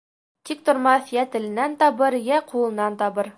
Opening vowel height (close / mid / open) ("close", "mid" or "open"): close